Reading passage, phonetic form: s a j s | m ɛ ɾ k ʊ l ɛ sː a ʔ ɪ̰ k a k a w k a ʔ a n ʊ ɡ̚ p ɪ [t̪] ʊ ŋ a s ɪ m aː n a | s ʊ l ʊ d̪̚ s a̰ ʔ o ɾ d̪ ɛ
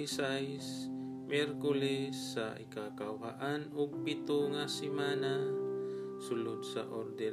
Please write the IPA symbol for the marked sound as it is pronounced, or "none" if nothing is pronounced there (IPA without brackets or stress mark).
t̪